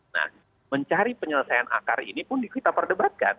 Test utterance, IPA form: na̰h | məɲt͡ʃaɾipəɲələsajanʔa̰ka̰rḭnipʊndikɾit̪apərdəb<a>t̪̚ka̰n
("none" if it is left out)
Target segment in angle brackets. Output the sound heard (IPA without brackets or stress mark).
a